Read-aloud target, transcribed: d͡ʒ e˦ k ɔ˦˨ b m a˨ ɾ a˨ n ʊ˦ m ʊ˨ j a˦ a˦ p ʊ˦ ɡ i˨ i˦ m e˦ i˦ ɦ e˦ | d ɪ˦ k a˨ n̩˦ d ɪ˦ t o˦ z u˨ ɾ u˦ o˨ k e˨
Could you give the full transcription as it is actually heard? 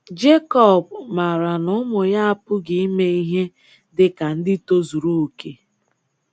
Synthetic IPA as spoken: d͡ʒ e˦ k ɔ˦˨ b m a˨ ɾ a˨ n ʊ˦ m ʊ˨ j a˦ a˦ p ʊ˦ ɡ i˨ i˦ m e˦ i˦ ɦ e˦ | d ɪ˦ k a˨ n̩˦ d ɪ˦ t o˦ z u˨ ɾ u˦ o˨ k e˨